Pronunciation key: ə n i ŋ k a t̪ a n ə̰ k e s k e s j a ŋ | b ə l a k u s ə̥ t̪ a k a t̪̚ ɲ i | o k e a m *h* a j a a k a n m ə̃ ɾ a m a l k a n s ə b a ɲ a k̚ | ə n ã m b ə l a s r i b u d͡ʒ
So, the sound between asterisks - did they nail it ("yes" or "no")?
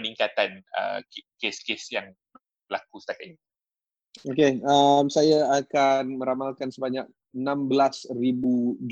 no